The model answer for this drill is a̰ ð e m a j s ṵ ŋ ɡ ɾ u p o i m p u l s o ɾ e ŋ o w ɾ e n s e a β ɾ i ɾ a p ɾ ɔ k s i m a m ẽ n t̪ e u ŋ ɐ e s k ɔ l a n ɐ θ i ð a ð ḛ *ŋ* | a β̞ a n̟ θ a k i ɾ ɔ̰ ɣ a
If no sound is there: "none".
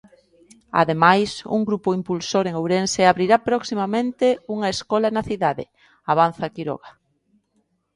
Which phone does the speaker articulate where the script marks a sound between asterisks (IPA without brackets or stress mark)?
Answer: none